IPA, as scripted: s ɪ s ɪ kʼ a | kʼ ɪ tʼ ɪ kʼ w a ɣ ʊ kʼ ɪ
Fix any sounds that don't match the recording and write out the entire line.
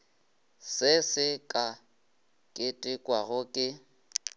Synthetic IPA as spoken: s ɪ s ɪ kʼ a | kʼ ɪ tʼ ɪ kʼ w a ɣ ʊ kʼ ɪ